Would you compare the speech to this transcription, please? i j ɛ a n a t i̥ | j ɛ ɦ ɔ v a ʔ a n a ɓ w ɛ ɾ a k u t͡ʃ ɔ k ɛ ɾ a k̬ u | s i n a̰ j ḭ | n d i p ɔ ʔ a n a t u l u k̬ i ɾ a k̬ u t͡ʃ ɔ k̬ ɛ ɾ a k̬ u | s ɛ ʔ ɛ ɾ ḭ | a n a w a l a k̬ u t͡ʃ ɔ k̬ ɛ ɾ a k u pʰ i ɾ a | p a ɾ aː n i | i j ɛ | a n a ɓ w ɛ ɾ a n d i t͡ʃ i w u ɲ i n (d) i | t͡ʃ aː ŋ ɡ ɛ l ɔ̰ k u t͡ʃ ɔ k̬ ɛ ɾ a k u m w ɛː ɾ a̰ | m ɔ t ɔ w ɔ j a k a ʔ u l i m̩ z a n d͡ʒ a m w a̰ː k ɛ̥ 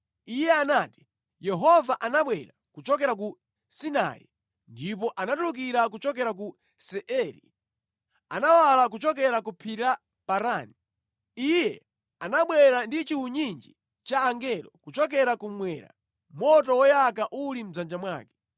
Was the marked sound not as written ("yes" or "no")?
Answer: yes